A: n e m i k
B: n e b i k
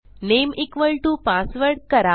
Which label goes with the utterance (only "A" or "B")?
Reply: A